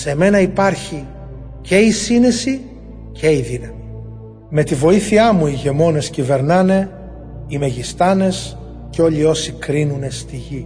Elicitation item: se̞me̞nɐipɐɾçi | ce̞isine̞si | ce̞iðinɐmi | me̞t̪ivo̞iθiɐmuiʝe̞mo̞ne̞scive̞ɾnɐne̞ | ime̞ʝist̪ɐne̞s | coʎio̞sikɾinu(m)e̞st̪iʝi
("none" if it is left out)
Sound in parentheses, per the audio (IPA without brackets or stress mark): n